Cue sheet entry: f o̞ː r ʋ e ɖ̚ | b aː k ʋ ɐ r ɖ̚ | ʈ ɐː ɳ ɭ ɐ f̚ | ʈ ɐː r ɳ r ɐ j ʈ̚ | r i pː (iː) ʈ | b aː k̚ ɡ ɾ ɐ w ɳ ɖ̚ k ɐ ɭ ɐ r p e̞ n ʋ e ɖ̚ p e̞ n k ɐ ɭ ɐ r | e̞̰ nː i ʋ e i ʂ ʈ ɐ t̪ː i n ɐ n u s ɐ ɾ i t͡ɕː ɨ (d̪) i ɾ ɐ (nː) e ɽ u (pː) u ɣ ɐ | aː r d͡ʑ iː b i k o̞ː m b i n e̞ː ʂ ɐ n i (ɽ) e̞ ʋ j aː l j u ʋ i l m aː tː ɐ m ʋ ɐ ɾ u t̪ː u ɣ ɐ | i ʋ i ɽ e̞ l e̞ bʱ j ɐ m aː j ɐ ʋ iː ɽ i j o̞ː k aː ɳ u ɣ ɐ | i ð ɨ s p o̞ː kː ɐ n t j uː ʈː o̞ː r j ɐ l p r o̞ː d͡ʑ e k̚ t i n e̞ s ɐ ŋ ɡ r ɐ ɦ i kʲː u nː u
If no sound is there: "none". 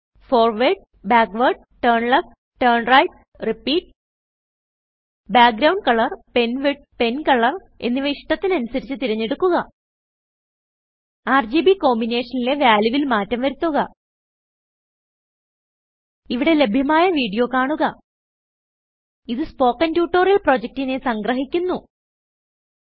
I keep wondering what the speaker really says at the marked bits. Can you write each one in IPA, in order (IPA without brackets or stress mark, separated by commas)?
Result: iː, t̪, ɲː, kː, l